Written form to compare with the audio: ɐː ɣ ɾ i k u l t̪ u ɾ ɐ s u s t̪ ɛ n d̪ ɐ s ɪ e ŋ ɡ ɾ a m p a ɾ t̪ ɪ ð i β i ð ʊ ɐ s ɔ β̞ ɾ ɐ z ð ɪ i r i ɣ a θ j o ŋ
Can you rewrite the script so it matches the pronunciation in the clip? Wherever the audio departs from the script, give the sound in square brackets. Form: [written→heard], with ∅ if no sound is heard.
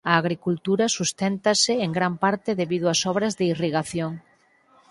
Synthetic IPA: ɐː ɣ ɾ i k u l t̪ u ɾ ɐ s u s t̪ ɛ n [d̪→t̪] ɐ s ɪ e ŋ ɡ ɾ a m p a ɾ t̪ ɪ ð [i→e] β i ð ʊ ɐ s ɔ β̞ ɾ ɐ z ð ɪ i r i ɣ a θ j o ŋ